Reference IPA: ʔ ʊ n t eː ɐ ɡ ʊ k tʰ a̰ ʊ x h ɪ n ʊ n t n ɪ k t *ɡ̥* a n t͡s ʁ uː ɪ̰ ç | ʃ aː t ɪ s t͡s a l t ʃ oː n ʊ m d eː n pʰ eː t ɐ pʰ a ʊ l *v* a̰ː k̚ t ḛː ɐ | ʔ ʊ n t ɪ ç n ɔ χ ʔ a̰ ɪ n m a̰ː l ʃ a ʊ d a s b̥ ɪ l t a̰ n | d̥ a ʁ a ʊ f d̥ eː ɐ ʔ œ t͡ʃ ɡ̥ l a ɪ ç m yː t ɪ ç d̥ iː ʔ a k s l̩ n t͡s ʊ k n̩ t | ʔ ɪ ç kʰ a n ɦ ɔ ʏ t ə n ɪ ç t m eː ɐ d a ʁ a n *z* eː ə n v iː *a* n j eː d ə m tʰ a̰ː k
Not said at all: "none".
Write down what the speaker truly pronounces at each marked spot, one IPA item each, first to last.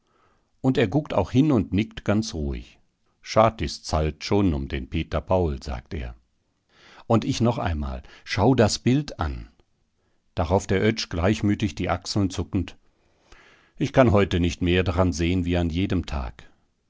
ɡ̥, z, z, a

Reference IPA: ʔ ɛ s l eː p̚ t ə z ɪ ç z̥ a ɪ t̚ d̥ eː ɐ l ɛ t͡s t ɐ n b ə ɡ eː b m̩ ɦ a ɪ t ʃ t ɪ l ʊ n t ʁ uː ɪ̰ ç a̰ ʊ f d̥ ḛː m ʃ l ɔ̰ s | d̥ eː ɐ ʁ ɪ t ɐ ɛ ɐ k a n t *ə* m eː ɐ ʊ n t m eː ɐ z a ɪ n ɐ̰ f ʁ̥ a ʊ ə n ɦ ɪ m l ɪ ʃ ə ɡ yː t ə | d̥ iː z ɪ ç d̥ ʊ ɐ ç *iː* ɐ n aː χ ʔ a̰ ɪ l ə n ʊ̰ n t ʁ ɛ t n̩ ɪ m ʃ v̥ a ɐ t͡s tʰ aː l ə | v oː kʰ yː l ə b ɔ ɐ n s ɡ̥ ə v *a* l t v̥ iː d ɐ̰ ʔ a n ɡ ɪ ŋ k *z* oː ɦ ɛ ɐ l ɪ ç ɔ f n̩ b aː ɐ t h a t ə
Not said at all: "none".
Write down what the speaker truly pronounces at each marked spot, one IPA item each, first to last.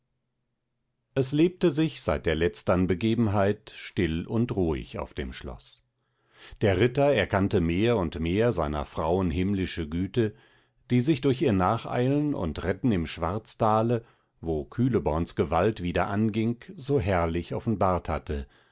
ə, iː, a, z

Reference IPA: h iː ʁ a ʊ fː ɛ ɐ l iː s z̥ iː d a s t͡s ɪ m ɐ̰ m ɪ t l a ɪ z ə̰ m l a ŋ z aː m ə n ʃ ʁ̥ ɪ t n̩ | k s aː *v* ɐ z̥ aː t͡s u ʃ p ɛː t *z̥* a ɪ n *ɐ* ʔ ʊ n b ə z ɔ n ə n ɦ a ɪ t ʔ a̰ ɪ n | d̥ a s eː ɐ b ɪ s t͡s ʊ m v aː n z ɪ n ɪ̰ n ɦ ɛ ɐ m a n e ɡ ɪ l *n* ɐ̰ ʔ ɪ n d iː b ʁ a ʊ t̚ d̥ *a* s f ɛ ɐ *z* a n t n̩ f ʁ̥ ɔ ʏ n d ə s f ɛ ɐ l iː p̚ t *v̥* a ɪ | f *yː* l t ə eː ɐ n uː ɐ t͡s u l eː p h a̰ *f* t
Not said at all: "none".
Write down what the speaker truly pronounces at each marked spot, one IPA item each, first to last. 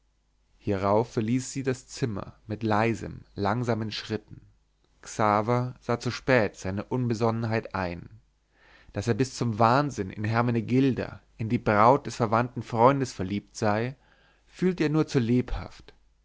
v, z̥, ə, d, ɛ, v, z̥, yː, f

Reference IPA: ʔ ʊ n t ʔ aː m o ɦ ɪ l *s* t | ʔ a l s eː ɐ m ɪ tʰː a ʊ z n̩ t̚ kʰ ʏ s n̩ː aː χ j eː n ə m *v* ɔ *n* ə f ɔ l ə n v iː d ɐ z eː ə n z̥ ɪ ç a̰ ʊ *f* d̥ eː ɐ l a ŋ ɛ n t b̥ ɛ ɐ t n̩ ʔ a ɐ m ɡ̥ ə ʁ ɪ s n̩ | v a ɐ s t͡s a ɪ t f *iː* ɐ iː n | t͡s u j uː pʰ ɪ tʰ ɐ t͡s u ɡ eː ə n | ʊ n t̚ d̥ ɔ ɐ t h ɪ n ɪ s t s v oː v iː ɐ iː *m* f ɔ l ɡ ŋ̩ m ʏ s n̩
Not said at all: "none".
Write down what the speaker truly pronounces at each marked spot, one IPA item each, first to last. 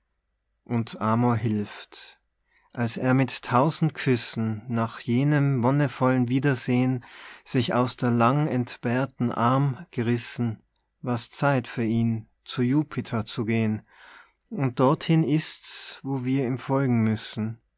f, v, n, s, yː, m

